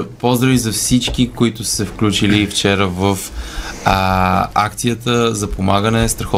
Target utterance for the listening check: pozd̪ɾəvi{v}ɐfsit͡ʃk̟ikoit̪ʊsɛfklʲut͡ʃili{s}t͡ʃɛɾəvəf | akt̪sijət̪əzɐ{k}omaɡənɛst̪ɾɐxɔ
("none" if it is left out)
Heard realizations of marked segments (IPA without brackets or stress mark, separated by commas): z, f, p